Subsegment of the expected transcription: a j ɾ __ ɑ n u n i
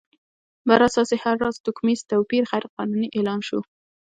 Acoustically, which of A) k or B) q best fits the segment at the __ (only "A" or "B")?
B